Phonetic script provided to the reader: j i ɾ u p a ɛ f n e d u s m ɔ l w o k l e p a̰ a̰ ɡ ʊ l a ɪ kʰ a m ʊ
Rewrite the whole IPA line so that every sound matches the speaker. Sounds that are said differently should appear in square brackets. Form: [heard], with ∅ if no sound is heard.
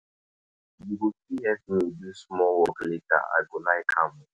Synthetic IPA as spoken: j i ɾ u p [i] ɛ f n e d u s m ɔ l w [ɔ] k l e [t] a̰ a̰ ɡ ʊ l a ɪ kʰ a m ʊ

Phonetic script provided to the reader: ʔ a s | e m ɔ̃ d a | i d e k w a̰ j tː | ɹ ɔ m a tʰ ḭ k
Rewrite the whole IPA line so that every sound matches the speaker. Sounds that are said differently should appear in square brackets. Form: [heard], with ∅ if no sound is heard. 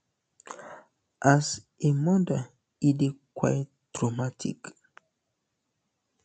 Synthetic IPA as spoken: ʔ a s | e m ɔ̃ d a | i d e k w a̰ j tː | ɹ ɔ m a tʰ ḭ k

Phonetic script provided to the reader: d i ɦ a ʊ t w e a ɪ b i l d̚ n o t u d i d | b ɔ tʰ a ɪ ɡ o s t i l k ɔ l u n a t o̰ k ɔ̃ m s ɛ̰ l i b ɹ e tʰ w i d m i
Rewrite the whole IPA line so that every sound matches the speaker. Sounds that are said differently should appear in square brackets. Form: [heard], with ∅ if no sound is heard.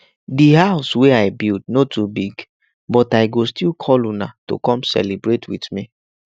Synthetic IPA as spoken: d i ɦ a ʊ [s] w e a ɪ b i l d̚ n o t u [b] i [ɡ] | b ɔ [t] a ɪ ɡ o s t i l [kʰ] ɔ l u n a t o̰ k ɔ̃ m s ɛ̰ l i b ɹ e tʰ w i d m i

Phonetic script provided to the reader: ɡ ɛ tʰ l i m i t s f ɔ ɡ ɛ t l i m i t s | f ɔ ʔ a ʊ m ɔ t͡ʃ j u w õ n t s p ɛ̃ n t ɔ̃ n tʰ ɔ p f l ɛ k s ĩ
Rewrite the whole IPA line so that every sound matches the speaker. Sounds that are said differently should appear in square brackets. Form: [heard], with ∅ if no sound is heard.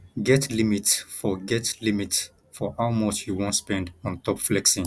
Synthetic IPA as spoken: ɡ ɛ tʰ l i m i t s f ɔ ɡ ɛ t l i m i t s | f ɔ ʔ a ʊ m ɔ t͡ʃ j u w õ n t s p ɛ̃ n [d] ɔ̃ n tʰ ɔ p f l ɛ k s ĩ

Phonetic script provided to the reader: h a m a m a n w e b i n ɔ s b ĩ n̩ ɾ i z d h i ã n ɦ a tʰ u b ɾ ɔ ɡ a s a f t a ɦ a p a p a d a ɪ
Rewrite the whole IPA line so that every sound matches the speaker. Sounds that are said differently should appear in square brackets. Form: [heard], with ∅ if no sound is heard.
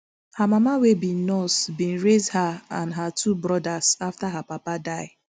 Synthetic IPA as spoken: h a m a m a [∅] w e b i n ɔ s b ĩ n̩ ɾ [e] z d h [a] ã n ɦ a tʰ u b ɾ ɔ [d] a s a f t a ɦ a p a p a d a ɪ

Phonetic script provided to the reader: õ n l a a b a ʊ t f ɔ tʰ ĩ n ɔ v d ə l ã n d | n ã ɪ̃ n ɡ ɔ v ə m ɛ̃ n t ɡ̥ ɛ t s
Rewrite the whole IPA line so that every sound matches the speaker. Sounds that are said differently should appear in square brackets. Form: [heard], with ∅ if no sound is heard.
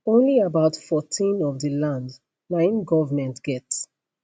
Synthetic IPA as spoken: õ n l [i] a b a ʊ t f ɔ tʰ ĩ n ɔ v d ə l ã n d | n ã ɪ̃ n ɡ ɔ v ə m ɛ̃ n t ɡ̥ ɛ t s

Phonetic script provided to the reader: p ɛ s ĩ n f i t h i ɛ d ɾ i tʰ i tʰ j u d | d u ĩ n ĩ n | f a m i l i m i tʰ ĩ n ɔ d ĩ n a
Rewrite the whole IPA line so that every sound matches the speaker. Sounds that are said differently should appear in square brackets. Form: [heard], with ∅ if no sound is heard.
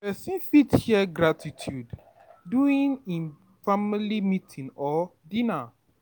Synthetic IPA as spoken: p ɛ s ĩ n f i t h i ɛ [ɡ] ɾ [a] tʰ i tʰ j u d | d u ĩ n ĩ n | f a m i l i m i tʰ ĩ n ɔ d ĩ n a

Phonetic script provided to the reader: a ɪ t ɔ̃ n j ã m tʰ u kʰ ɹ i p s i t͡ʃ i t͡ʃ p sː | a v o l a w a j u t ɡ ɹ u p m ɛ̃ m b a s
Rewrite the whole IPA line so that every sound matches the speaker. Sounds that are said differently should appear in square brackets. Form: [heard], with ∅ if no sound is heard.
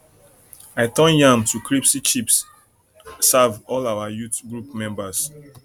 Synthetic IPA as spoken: a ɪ t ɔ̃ n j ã m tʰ u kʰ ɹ i p s i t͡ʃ i [∅] p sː | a v [ɔ] l a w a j u t ɡ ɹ u p m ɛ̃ m b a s

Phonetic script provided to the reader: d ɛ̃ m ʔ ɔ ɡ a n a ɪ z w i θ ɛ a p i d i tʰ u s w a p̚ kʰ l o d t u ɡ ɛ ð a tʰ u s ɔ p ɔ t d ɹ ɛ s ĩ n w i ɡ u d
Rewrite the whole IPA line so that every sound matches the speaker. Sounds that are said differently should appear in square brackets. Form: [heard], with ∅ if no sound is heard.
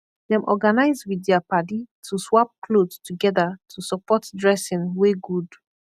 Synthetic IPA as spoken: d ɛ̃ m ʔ ɔ ɡ a n a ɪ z w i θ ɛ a p [a] d i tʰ u s w a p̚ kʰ l o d t u ɡ ɛ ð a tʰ u s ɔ p ɔ t d ɹ ɛ s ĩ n w [e] ɡ u d

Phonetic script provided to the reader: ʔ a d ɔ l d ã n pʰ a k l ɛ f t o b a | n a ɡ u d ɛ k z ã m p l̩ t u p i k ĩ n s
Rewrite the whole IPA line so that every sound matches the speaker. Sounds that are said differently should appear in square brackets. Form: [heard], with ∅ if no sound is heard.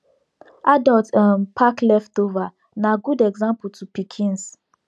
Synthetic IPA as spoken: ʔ a d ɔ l [t] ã n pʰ a k l ɛ f t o [v] a | n a ɡ u d ɛ [ɡ] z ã m p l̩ t u p i [kʰ] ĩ n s

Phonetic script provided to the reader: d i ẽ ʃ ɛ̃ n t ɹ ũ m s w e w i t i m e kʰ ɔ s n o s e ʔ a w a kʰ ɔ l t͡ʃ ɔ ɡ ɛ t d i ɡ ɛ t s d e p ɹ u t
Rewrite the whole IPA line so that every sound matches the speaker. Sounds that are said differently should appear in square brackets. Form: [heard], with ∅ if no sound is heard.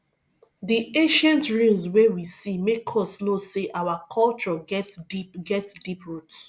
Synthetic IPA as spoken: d i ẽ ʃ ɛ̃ n t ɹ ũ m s w e w i [s] i m e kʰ ɔ s n o s e ʔ a w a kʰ ɔ l t͡ʃ ɔ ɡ ɛ t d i ɡ ɛ t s d [i] p ɹ u t

